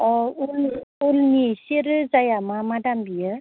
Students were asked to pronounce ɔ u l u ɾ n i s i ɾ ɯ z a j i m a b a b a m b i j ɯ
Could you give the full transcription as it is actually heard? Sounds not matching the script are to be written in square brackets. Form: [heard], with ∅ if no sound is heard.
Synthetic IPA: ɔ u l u [l] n i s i ɾ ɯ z a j [a] m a [m] a [d] a m b i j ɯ